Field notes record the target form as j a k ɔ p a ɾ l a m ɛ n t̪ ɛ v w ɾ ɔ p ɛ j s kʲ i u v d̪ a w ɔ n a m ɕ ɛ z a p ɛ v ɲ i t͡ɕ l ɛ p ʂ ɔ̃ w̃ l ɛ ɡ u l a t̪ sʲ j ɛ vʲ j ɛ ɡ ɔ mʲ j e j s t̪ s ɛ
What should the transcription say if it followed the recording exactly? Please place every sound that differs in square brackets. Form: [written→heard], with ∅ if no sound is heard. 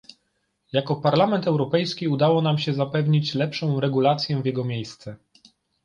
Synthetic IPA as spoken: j a k ɔ p a ɾ l a m ɛ n t̪ ɛ [v→∅] w ɾ ɔ p ɛ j s kʲ i u [v→∅] d̪ a w ɔ n a m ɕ ɛ z a p ɛ v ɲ i t͡ɕ l ɛ p ʂ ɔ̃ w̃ [l→ɾ] ɛ ɡ u l a t̪ sʲ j ɛ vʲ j ɛ ɡ ɔ mʲ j e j s t̪ s ɛ